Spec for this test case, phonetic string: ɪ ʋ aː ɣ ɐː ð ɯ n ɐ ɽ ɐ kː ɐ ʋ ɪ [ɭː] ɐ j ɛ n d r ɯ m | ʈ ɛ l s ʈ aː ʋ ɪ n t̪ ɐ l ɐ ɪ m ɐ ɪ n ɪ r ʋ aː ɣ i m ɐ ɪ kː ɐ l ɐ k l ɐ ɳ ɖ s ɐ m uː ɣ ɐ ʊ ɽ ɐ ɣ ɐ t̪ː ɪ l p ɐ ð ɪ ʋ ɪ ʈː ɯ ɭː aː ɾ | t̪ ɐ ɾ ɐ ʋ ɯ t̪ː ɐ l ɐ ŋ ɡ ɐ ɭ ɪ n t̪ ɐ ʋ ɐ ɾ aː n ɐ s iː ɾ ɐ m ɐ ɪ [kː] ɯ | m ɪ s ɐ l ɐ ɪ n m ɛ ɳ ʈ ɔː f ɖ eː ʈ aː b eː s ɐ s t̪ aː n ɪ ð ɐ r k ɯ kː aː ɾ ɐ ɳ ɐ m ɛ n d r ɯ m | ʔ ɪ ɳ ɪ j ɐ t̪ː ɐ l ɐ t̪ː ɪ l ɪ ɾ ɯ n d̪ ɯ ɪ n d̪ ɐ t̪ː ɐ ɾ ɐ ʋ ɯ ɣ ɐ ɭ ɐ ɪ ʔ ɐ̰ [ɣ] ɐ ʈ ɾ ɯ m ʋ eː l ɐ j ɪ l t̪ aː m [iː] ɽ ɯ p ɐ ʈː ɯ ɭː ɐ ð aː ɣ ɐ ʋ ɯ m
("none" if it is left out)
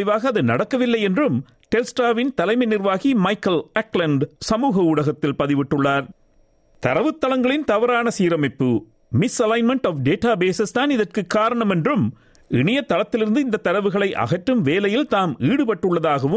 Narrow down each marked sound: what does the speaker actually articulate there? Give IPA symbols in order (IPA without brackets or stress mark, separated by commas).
lː, pː, ɣ, iː